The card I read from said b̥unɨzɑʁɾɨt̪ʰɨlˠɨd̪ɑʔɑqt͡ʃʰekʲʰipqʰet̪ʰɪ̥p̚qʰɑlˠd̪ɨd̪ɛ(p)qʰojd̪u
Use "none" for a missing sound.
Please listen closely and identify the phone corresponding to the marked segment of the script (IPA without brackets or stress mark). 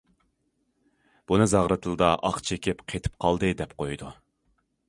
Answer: p